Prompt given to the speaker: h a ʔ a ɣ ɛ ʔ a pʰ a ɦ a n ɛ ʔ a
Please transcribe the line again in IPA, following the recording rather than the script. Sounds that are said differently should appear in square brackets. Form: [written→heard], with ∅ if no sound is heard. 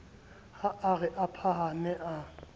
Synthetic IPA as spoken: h a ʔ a ɣ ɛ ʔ a pʰ a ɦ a n ɛ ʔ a